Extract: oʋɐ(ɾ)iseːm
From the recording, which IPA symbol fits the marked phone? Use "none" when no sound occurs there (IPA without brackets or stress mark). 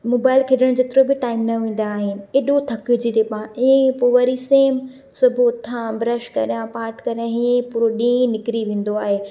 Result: ɾ